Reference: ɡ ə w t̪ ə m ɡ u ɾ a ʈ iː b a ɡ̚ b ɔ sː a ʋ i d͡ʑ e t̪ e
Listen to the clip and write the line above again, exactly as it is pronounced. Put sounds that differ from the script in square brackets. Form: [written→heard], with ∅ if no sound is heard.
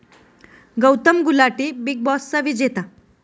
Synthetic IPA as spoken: ɡ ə w t̪ ə m ɡ u [ɾ→l] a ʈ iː b [a→i] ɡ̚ b ɔ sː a ʋ i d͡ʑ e t̪ [e→a]